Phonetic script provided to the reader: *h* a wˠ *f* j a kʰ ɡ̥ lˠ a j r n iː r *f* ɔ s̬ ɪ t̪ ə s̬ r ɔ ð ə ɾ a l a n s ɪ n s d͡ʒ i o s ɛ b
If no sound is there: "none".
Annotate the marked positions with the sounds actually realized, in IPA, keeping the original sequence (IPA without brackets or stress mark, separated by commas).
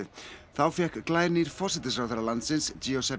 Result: θ, f, f